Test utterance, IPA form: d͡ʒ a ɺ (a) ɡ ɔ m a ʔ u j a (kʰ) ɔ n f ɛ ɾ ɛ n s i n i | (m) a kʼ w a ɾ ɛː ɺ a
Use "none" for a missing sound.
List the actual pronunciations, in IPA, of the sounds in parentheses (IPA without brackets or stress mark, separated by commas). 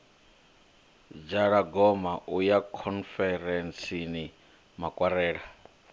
a, kʰ, m